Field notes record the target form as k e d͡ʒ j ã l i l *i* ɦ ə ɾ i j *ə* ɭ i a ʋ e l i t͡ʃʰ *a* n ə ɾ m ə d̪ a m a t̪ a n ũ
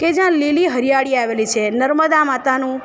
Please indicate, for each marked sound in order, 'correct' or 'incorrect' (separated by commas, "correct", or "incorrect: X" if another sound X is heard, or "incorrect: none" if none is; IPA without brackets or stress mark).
correct, incorrect: a, incorrect: e